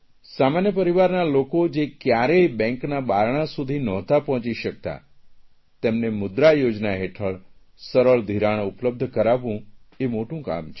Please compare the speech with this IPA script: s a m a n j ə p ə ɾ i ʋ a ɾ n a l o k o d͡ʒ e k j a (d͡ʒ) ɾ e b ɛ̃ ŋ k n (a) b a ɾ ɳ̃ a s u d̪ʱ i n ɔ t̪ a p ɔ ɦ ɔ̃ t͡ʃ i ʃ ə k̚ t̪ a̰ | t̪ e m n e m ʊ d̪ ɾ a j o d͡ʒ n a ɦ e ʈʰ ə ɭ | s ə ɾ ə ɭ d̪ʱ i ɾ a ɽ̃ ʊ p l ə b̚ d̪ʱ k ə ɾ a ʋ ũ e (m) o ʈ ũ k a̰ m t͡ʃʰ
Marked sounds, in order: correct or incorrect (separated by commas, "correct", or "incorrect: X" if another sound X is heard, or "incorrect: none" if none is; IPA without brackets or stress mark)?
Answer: incorrect: none, correct, correct